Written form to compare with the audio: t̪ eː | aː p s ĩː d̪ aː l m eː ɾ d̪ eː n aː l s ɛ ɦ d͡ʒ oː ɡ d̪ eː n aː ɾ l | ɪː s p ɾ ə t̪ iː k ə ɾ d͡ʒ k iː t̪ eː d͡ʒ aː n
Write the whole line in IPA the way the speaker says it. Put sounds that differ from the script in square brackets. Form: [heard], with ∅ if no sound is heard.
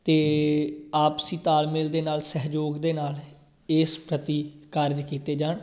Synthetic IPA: t̪ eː | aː p s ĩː [t̪] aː l m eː [l] d̪ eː n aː l s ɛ ɦ d͡ʒ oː ɡ d̪ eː n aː [∅] l | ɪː s p ɾ ə t̪ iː k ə ɾ d͡ʒ k iː t̪ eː d͡ʒ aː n

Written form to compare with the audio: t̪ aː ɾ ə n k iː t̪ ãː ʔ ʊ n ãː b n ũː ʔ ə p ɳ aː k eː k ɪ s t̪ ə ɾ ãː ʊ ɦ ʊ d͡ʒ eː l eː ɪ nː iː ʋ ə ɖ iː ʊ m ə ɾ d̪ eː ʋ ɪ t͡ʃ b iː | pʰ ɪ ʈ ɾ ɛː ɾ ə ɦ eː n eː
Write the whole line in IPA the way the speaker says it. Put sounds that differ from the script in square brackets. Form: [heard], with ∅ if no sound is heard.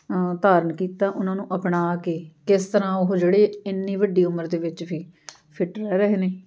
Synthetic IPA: t̪ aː ɾ ə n k iː t̪ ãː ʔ ʊ n ãː [∅] n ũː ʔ ə p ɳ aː k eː k ɪ s t̪ ə ɾ ãː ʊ ɦ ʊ d͡ʒ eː [ɽ] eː ɪ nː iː ʋ ə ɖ iː ʊ m ə ɾ d̪ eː ʋ ɪ t͡ʃ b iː | pʰ ɪ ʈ ɾ ɛː ɾ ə ɦ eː n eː

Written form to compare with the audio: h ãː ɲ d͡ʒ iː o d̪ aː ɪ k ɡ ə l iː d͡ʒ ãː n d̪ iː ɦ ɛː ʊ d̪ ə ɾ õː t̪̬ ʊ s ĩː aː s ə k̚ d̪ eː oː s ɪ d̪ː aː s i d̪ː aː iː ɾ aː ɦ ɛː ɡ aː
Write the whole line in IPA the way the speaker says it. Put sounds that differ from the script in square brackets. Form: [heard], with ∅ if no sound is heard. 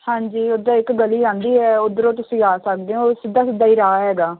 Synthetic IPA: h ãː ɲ d͡ʒ iː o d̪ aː ɪ k ɡ ə l iː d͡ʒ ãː n d̪ iː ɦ ɛː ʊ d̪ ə ɾ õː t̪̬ ʊ s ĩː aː s ə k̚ d̪ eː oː s ɪ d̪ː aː s [ɪ] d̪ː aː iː ɾ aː ɦ ɛː ɡ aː

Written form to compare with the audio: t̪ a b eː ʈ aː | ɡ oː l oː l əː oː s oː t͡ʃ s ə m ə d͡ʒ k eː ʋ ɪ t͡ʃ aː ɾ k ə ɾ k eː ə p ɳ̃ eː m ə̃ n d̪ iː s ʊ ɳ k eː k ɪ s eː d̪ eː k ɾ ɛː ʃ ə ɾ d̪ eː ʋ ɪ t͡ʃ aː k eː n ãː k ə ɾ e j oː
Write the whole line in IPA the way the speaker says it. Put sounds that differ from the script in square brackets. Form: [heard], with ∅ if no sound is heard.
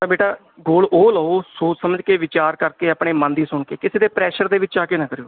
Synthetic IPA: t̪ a b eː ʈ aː | ɡ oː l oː l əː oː s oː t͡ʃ s ə m ə d͡ʒ k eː ʋ ɪ t͡ʃ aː ɾ k ə ɾ k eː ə p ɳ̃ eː m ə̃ n d̪ iː s ʊ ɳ k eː k ɪ s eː d̪ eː [p] ɾ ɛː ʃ ə ɾ d̪ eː ʋ ɪ t͡ʃ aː k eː n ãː k ə ɾ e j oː

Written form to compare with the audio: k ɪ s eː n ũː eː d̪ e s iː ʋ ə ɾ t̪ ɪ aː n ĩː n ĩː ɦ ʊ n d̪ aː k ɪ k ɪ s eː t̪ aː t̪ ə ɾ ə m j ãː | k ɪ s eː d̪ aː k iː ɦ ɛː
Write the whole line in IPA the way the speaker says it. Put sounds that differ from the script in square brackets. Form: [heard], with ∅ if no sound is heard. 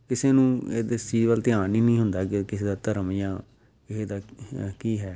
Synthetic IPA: k ɪ s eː n ũː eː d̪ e s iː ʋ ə [l] t̪ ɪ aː n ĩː n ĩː ɦ ʊ n d̪ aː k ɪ k ɪ s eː [d̪] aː t̪ ə ɾ ə m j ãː | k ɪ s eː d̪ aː k iː ɦ ɛː

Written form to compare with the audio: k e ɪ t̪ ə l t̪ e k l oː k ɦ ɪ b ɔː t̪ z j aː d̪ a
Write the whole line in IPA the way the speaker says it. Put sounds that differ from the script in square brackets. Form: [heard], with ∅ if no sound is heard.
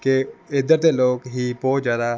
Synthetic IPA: k e ɪ [d̪] ə [ɾ] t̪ e [∅] l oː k ɦ [i] b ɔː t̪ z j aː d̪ a

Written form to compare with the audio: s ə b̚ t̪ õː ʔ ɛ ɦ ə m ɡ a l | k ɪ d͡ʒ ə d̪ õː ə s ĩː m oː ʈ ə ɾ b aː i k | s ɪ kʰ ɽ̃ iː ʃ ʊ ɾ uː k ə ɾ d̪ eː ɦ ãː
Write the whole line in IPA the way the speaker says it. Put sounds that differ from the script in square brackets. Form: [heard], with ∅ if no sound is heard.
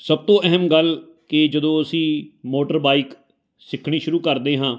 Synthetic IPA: s ə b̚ t̪ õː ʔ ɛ ɦ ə m ɡ [ə] l | k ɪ d͡ʒ ə d̪ õː ə s ĩː m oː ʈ ə ɾ b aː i k | s ɪ kʰ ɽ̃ iː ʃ ʊ ɾ uː k ə ɾ d̪ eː ɦ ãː

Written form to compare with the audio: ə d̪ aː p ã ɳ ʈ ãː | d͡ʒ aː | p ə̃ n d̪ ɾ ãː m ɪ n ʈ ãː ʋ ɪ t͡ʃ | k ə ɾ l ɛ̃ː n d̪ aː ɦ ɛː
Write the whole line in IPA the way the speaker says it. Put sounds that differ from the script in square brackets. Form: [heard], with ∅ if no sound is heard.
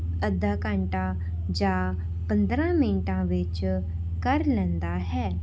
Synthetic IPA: ə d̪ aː [k] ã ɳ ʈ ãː | d͡ʒ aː | p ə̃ n d̪ ɾ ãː m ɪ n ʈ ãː ʋ ɪ t͡ʃ | k ə ɾ l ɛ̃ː n d̪ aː ɦ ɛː

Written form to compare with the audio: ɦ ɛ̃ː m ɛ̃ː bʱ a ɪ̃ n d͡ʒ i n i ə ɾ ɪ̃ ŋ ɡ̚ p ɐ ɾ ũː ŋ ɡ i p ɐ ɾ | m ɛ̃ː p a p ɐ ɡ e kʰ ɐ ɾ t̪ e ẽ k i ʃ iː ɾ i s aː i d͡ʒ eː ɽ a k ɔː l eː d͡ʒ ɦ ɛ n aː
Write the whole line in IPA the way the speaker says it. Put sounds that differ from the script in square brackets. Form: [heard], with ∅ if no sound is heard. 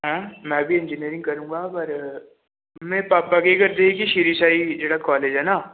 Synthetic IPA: ɦ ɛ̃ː m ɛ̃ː bʱ [i] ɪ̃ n d͡ʒ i n i ə ɾ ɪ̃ ŋ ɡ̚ [k] ɐ ɾ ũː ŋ ɡ [a] p ɐ ɾ | m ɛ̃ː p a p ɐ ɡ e [k] ɐ ɾ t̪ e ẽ k i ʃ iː ɾ i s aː i d͡ʒ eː ɽ a k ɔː l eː d͡ʒ ɦ ɛ n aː

